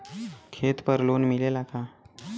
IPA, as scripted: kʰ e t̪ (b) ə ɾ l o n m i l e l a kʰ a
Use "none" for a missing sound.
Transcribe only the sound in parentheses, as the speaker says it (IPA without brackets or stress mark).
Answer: p